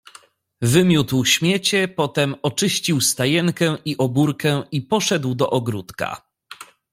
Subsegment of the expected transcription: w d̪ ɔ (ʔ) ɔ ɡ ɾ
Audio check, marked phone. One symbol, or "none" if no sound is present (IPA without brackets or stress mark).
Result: ʔ